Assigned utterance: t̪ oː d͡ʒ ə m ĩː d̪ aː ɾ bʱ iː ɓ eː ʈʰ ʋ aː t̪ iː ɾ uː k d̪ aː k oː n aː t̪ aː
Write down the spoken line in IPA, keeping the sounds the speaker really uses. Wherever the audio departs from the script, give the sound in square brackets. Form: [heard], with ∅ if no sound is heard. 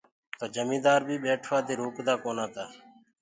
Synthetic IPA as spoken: t̪ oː d͡ʒ ə m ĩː d̪ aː ɾ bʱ iː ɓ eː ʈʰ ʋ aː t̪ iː ɾ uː k d̪ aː k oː n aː t̪ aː